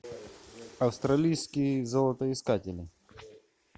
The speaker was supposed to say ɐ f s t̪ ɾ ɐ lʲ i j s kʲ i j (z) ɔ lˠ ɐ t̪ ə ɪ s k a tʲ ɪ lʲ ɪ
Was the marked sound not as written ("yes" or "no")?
no